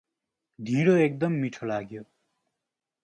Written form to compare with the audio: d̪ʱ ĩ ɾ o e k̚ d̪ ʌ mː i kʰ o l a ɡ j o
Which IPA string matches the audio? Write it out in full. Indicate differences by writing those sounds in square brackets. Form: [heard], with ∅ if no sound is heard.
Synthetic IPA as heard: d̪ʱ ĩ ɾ o e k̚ d̪ ʌ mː i [ʈʰ] o l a ɡ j o